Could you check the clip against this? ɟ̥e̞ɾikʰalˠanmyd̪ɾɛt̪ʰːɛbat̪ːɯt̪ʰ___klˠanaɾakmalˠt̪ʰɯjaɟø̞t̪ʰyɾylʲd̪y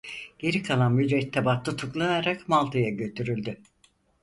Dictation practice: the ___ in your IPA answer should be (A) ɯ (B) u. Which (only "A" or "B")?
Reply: B